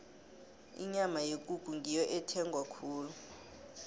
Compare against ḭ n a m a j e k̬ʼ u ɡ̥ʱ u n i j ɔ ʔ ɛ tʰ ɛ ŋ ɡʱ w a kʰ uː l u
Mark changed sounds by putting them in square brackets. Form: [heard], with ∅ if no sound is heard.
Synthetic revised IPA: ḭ [ɲ] a m a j e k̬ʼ u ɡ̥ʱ u [ŋ] i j ɔ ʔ ɛ tʰ ɛ ŋ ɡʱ w a kʰ uː l u